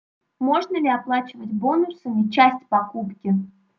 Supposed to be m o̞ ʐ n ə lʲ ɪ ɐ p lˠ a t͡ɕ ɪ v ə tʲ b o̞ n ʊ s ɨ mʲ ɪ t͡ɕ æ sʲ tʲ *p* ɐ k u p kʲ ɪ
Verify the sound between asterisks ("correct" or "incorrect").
correct